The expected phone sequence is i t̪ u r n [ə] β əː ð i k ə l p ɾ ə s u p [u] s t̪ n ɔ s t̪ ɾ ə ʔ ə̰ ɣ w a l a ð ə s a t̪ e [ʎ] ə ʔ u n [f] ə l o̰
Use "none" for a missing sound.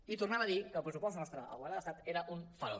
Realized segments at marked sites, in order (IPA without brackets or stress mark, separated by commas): a, ɔ, ɾ, f